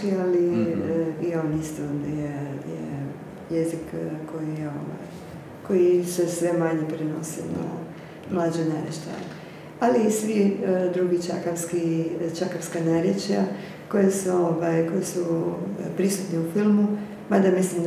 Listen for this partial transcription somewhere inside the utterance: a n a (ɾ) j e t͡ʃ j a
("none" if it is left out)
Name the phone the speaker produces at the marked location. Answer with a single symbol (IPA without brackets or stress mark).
ɾ